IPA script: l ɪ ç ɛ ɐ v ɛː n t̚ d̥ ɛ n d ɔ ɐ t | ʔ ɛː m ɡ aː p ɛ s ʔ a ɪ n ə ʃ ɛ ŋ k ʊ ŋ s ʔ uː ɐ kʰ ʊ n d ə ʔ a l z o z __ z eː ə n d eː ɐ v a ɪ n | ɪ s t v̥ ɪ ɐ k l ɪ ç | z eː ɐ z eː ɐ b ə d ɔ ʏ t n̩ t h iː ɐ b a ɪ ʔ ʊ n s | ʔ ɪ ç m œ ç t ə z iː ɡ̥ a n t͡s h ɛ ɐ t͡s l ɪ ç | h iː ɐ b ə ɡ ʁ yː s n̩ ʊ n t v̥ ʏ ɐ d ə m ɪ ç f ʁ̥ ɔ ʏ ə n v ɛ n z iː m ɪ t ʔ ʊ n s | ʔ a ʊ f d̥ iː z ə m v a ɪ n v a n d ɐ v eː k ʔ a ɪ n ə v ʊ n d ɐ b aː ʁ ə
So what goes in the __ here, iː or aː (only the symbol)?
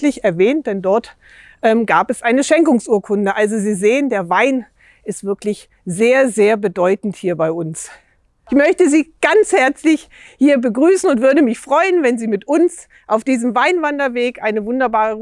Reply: iː